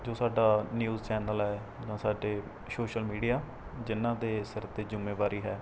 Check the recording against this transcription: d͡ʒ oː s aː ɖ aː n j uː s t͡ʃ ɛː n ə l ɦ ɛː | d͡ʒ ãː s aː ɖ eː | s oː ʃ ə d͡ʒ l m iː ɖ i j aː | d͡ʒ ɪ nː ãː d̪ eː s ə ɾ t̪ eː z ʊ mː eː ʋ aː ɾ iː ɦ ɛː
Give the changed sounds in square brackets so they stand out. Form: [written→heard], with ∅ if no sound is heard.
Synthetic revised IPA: d͡ʒ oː s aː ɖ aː n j uː [s→z] t͡ʃ ɛː n ə l ɦ ɛː | d͡ʒ ãː s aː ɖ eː | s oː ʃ ə [d͡ʒ→∅] l m iː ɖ i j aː | d͡ʒ ɪ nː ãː d̪ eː s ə ɾ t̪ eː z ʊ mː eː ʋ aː ɾ iː ɦ ɛː